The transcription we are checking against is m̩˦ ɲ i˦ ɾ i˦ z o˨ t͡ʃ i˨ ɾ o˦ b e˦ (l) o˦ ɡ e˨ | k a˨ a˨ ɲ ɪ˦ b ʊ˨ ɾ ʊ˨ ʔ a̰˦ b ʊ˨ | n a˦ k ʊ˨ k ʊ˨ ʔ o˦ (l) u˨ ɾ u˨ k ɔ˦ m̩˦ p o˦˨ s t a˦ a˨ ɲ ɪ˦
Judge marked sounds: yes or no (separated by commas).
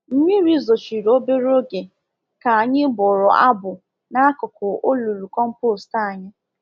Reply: no, yes